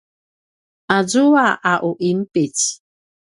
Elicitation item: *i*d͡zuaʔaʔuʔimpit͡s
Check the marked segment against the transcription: incorrect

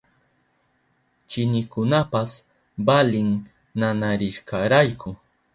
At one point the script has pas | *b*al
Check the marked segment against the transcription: correct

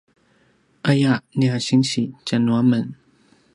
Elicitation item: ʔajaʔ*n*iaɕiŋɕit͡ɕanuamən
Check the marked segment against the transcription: correct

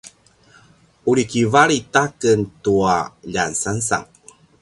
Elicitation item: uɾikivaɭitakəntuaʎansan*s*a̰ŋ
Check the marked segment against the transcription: correct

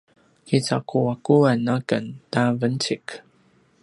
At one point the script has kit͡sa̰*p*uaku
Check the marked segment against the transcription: incorrect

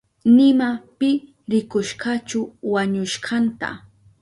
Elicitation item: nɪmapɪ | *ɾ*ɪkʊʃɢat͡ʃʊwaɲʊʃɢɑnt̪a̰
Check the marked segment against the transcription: correct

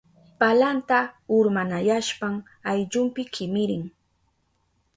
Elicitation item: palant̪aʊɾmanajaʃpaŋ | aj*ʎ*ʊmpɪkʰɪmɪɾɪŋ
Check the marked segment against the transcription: correct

